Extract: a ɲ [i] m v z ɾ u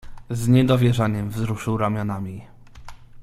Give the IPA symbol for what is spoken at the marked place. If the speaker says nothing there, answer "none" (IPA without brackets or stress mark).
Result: ɛ